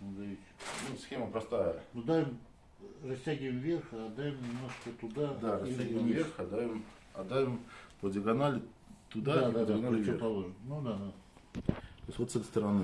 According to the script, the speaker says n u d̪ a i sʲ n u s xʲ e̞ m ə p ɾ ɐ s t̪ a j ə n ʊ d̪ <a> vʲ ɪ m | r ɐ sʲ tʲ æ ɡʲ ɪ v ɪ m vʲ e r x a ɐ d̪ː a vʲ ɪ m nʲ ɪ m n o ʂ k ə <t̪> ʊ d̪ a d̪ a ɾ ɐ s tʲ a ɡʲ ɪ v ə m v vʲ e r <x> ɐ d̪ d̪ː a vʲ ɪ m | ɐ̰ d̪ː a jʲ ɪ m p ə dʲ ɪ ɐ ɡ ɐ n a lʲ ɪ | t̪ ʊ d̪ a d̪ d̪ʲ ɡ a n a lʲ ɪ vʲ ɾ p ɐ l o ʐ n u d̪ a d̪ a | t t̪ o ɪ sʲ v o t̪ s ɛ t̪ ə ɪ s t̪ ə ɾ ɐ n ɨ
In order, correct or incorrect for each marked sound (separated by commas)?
correct, correct, correct